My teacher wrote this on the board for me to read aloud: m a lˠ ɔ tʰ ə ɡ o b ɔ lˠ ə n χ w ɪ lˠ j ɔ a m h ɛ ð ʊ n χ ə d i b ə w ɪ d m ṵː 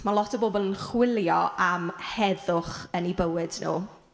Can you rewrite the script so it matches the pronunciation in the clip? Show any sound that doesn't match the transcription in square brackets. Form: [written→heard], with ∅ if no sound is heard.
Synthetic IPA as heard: m a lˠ ɔ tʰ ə [ɡ→b] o b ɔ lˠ ə n χ w ɪ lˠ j ɔ a m h ɛ ð ʊ [n→∅] χ ə [d→n] i b ə w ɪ d [m→n] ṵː